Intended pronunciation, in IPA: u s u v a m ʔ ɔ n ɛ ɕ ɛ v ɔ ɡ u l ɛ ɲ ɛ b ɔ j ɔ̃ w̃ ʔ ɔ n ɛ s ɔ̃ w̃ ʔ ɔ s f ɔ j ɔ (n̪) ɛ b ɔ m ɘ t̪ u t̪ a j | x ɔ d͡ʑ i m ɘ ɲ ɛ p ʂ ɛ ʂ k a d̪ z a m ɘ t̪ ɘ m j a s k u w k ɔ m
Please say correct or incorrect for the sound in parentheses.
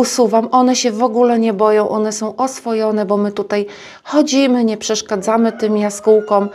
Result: correct